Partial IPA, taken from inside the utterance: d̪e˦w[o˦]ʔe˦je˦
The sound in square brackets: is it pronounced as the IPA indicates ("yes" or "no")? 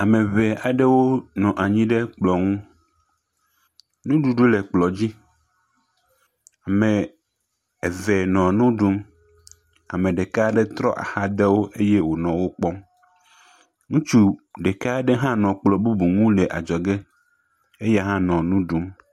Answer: yes